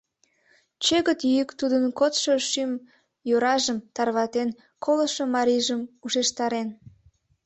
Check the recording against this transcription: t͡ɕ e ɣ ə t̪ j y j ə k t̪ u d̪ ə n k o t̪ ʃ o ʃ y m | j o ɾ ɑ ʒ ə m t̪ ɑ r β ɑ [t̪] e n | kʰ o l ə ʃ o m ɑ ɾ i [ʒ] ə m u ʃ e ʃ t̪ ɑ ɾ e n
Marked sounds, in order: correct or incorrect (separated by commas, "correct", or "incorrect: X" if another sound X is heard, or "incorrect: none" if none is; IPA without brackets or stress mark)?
correct, correct